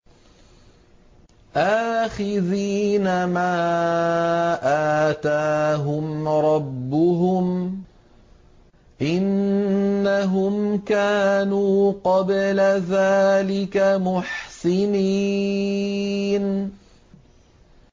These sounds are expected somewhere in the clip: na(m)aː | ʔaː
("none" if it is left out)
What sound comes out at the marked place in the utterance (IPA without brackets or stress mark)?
m